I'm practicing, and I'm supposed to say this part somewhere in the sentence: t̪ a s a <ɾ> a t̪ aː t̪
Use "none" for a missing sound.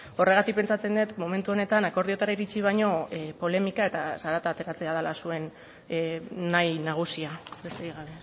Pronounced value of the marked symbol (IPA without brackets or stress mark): ɾ